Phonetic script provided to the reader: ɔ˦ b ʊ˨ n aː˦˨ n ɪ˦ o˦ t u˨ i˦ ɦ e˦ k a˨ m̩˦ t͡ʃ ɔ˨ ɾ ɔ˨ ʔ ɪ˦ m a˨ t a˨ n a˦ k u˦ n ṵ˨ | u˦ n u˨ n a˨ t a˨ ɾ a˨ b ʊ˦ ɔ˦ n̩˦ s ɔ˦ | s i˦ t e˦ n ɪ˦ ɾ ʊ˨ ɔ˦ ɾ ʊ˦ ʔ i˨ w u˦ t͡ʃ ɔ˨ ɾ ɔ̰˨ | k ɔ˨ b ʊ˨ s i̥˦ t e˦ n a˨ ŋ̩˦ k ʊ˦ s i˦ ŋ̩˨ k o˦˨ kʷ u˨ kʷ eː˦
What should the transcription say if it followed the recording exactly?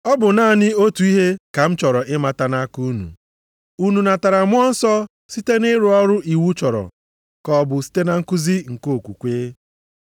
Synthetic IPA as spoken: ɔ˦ b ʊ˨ n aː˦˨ n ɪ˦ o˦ t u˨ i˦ ɦ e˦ k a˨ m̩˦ t͡ʃ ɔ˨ ɾ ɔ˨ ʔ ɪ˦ m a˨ t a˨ n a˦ k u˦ n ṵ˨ | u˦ n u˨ n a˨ t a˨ ɾ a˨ m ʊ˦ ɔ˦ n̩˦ s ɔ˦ | s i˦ t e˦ n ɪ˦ ɾ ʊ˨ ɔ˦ ɾ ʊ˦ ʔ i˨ w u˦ t͡ʃ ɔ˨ ɾ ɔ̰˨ | k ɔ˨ b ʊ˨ s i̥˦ t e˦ n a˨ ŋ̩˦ k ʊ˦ z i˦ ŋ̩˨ k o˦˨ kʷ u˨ kʷ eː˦

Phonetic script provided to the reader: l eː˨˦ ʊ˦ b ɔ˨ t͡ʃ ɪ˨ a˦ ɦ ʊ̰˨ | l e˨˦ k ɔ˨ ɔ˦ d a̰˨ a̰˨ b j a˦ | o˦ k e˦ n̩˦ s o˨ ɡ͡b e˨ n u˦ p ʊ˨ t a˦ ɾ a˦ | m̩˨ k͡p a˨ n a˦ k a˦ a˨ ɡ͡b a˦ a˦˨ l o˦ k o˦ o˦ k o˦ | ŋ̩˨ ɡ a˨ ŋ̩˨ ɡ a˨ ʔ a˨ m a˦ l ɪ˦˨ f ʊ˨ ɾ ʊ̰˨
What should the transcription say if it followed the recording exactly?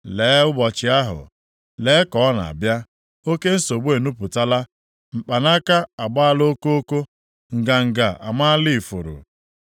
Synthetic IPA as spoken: l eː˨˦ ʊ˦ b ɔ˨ t͡ʃ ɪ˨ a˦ ɦ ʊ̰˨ | l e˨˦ k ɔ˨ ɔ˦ n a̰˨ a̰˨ b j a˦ | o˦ k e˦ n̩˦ s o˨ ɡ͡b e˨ n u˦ p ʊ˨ t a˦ l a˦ | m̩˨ k͡p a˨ n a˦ k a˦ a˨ ɡ͡b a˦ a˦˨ l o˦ k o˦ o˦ k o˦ | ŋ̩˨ ɡ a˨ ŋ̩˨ ɡ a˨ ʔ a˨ m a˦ l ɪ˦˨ f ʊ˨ ɾ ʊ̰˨

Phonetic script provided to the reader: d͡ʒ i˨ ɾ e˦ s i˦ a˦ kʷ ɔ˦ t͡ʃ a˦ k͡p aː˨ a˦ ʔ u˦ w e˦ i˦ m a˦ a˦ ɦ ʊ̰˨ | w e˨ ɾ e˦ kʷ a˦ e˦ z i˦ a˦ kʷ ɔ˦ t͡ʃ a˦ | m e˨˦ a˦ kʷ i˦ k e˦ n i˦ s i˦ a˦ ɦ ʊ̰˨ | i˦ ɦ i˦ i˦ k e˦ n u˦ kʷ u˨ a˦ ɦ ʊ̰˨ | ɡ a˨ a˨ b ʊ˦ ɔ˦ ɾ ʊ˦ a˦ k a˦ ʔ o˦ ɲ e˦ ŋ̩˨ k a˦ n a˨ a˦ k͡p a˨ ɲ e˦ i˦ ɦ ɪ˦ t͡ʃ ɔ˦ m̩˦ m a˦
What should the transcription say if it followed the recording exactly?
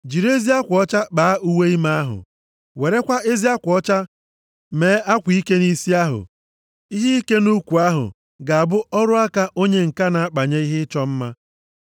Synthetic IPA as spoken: d͡ʒ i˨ ɾ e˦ z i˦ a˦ kʷ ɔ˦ t͡ʃ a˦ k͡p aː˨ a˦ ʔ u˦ w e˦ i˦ m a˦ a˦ ɦ ʊ̰˨ | w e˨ ɾ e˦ kʷ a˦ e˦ z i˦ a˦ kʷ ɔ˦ t͡ʃ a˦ | m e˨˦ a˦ kʷ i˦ k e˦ n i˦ s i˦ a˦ ɦ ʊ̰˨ | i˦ ɦ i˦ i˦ k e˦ n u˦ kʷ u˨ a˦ ɦ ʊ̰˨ | ɡ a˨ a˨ b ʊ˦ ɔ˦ ɾ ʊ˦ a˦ k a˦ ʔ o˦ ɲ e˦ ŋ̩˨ k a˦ n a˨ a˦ k͡p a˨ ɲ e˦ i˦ ɦ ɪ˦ t͡ʃ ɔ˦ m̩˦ m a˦

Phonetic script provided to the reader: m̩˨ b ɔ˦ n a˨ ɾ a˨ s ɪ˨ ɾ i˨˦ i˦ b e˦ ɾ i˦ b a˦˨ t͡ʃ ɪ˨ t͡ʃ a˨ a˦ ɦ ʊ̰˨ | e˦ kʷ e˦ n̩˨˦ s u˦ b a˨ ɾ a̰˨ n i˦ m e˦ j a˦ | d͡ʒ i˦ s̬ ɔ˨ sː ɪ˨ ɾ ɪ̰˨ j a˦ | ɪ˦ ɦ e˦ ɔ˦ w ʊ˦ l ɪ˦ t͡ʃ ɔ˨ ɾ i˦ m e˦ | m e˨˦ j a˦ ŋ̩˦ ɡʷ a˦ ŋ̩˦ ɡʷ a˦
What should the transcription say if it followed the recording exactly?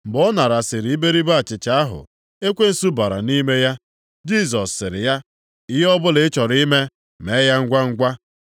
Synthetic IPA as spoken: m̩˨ b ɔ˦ n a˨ ɾ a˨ s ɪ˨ ɾ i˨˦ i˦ b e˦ ɾ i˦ b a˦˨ t͡ʃ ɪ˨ t͡ʃ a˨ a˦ ɦ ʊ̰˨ | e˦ kʷ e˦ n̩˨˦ s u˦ b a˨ ɾ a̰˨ n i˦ m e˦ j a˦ | d͡ʒ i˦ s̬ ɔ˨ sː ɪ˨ ɾ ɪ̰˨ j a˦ | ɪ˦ ɦ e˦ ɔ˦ b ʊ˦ l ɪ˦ t͡ʃ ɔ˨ ɾ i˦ m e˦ | m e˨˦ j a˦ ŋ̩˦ ɡʷ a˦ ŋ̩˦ ɡʷ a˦

